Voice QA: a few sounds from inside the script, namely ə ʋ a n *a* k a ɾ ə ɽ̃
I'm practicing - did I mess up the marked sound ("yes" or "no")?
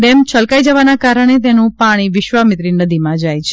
no